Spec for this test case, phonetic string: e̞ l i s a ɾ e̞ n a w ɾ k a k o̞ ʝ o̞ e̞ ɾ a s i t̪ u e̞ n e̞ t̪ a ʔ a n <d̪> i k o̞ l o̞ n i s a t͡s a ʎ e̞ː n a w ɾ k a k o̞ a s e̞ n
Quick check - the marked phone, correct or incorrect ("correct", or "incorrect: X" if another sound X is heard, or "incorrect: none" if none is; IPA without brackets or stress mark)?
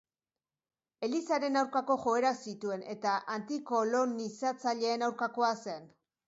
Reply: incorrect: t̪